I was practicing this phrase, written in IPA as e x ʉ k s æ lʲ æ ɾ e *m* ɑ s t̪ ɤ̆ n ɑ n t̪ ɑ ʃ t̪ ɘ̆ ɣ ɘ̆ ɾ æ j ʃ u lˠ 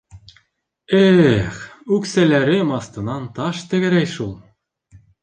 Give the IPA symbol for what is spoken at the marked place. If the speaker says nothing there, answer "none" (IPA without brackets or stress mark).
m